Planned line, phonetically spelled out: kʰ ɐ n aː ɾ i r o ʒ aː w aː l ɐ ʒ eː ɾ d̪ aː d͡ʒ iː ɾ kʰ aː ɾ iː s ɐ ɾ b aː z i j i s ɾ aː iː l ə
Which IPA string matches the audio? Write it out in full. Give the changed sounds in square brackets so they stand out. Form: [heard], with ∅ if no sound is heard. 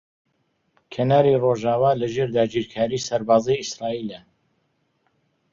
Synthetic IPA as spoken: kʰ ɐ n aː ɾ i r o ʒ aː w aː l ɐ ʒ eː ɾ d̪ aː d͡ʒ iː ɾ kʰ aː ɾ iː s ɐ ɾ b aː z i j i s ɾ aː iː l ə